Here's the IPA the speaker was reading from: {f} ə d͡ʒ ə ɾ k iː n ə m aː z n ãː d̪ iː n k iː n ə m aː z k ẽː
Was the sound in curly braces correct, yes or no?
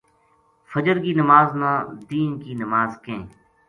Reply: yes